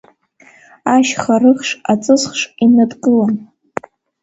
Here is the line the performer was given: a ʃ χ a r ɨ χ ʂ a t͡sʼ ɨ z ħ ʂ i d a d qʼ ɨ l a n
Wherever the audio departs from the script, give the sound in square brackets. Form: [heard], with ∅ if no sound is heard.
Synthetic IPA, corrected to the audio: a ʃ χ a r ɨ χ ʂ a t͡sʼ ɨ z [χ] ʂ i [n] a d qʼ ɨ l a n